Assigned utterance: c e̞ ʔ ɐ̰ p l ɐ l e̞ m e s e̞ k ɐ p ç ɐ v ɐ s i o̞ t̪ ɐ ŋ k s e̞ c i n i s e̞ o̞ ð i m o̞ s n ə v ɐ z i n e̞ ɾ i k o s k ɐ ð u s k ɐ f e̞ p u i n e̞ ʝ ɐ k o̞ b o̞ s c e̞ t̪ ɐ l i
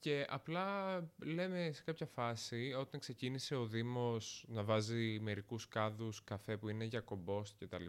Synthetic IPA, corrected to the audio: c e̞ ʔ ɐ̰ p l ɐ l e̞ m e s e̞ k ɐ p ç ɐ f ɐ s i o̞ t̪ ɐ ŋ k s e̞ c i n i s e̞ o̞ ð i m o̞ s n ɐ v ɐ z i m e̞ ɾ i k u s k ɐ ð u s k ɐ f e̞ p u i n e̞ ʝ ɐ k o̞ b o̞ s c e̞ t̪ ɐ l i